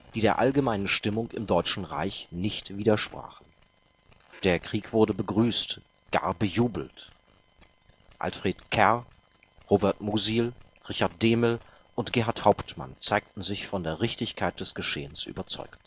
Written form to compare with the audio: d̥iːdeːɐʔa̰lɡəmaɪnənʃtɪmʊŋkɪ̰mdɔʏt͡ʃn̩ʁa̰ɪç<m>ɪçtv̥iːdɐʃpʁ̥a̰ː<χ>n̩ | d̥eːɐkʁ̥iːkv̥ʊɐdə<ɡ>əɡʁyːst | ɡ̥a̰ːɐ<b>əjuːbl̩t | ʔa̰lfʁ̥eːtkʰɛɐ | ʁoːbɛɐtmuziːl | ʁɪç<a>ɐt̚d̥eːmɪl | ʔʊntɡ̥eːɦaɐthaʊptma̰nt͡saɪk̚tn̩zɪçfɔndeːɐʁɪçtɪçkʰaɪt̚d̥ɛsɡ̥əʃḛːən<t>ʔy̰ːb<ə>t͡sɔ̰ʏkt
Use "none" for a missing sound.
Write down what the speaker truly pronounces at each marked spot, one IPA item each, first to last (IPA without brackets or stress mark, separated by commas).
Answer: n, χ, b, b, a, s, ɐ